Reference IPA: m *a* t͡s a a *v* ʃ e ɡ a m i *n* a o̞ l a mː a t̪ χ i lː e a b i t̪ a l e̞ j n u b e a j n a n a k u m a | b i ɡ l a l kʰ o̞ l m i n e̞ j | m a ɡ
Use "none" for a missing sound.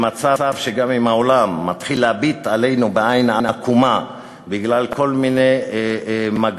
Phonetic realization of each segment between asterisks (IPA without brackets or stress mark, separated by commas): a, v, m